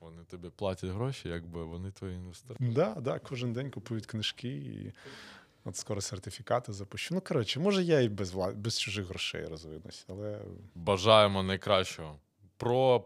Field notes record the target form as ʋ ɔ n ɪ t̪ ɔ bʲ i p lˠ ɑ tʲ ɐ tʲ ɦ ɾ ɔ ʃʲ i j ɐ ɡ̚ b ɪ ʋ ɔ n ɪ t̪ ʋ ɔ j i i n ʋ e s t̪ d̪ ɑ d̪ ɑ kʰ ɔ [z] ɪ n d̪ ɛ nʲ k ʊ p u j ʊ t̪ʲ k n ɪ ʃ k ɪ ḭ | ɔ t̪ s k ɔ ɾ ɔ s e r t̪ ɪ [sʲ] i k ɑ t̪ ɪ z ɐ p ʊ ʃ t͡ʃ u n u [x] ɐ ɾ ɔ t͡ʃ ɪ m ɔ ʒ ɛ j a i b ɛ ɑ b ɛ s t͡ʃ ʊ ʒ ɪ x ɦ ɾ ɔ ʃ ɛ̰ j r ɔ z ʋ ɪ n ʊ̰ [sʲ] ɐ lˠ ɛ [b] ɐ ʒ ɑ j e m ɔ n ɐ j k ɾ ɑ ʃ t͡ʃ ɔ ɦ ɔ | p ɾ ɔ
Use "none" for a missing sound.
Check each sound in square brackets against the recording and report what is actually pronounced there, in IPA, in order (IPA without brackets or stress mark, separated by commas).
ʒ, fʲ, k, sʲ, b